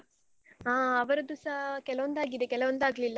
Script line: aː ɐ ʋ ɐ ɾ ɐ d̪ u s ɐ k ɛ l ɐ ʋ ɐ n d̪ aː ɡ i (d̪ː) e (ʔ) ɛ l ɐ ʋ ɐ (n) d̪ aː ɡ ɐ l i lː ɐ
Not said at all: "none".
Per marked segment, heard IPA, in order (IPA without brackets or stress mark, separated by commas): d̪, k, n